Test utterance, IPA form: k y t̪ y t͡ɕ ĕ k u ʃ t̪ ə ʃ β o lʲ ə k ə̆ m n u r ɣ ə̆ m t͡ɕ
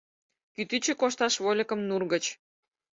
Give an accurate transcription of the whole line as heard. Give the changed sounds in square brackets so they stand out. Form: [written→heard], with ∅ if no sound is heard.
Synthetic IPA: k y t̪ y t͡ɕ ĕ k [u→o] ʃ t̪ [ə→ɑ] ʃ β o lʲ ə k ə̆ m n u r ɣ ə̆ [m→∅] t͡ɕ